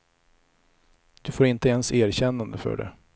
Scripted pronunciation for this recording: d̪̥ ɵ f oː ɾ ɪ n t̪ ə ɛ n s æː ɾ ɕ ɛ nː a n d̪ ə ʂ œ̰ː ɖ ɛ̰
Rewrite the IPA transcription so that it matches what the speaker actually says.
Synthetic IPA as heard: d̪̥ ɵ f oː ɾ ɪ n t̪ ə ɛ n s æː ɾ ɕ ɛ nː a n d̪ ə f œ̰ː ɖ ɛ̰